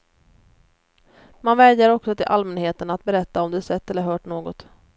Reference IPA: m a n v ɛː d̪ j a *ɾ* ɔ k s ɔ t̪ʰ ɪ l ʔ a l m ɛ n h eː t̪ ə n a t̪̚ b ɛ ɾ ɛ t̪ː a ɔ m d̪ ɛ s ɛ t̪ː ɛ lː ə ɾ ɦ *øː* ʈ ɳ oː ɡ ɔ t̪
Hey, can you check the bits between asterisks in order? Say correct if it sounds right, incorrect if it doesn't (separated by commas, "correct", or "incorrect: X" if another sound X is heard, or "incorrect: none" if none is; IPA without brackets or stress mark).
correct, incorrect: œː